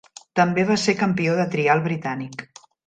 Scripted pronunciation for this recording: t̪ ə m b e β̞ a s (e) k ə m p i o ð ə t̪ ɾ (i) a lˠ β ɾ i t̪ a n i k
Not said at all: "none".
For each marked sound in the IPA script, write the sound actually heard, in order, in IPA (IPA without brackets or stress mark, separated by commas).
e, i